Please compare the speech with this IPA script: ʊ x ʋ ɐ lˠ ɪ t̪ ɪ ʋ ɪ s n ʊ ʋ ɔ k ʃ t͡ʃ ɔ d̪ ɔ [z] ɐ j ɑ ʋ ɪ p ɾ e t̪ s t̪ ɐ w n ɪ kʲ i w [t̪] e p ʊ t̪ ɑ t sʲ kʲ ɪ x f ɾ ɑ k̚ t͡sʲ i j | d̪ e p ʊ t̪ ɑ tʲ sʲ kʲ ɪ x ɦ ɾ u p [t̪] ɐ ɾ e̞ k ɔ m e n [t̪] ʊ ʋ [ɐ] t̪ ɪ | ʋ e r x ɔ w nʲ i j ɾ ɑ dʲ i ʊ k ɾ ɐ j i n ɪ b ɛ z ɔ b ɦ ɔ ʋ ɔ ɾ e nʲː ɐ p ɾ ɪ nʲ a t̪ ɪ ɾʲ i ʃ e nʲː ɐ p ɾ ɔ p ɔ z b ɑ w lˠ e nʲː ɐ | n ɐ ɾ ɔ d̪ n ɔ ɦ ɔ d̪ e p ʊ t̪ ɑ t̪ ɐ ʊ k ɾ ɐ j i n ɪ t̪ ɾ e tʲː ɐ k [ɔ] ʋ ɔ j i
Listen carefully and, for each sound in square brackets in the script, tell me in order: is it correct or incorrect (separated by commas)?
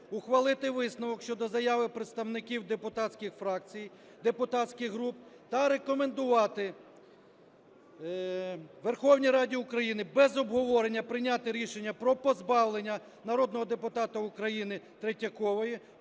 correct, incorrect, correct, incorrect, incorrect, correct